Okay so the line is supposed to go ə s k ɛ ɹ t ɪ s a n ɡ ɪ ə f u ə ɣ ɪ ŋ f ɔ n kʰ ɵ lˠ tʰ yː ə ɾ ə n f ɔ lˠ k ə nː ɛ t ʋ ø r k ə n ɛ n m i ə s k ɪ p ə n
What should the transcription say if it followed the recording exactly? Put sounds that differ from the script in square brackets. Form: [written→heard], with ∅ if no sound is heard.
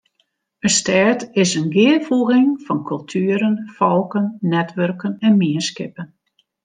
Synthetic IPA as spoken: ə s [k→t] ɛ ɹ t ɪ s [a→ə] n ɡ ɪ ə f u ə ɣ ɪ ŋ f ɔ n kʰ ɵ lˠ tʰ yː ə ɾ ə n f ɔ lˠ k ə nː ɛ t ʋ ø r k ə n ɛ n m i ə s k ɪ p ə n

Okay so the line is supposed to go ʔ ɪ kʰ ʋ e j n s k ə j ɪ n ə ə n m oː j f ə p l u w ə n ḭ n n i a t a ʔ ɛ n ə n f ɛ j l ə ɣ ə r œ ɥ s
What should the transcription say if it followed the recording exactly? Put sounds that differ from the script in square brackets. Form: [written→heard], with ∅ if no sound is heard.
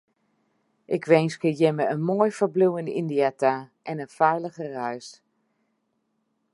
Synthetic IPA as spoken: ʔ ɪ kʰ ʋ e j n s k ə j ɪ [n→m] ə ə n m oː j f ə [p→b] l u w ə n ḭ n [n→d] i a t a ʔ ɛ n ə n f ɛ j l ə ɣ ə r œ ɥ s

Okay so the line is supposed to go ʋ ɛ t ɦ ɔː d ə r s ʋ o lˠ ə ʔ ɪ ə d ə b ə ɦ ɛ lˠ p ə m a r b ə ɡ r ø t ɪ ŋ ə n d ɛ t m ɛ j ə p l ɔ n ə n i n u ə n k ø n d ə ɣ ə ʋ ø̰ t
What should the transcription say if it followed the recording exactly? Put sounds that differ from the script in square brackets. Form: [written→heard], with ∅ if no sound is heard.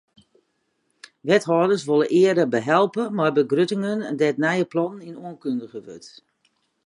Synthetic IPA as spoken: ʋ ɛ t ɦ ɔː d ə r s ʋ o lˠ ə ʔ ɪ ə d ə b ə ɦ ɛ lˠ p ə m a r b ə ɡ r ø t ɪ ŋ ə n d ɛ t [m→n] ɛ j ə p l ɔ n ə n i n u ə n k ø n d ə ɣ ə ʋ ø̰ t

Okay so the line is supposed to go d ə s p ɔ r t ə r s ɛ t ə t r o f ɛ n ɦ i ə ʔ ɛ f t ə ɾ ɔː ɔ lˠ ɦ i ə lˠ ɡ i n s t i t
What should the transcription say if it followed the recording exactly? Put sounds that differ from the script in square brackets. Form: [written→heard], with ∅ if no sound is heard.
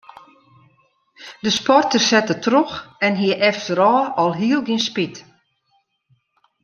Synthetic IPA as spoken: d ə s p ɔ r t ə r s ɛ t ə t r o [f→x] ɛ n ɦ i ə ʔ ɛ f t ə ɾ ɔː ɔ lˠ ɦ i ə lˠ ɡ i n s [t→p] i t

